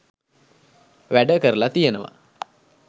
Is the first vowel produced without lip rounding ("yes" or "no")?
yes